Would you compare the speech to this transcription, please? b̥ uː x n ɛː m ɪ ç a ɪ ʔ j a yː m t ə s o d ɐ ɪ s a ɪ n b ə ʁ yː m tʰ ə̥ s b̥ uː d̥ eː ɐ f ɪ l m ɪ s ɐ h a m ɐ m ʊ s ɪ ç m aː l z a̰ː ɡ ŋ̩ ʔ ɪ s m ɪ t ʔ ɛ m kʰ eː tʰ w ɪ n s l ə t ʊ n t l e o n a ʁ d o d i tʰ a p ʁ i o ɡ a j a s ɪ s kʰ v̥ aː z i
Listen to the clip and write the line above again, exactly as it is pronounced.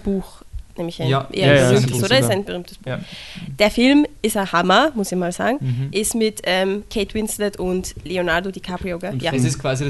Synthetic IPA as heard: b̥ uː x n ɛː m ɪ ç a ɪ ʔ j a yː m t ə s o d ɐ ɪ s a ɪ n b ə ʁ yː m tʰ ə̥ s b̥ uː d̥ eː ɐ f ɪ l m ɪ s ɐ h a m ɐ m ʊ s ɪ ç m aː l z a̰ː ɡ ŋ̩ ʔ ɪ s m ɪ t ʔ ɛ m kʰ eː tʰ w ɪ n s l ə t ʊ n t l e o n a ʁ d o d i kʰ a p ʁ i o ɡ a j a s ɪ s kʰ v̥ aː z i